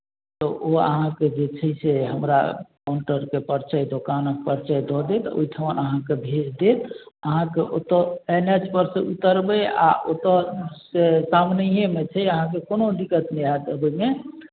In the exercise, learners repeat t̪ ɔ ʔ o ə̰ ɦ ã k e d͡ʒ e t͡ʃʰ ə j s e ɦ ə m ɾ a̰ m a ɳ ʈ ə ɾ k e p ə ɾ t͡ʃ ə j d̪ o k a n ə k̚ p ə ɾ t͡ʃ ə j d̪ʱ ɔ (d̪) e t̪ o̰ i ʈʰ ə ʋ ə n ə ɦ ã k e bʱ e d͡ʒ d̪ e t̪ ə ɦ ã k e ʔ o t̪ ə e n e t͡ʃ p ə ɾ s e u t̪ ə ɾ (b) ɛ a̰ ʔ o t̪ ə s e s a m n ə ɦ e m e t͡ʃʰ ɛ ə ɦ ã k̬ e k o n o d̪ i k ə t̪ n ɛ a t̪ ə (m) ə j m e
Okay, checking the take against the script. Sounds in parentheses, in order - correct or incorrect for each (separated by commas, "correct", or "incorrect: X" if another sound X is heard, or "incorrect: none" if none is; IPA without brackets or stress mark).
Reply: correct, correct, incorrect: b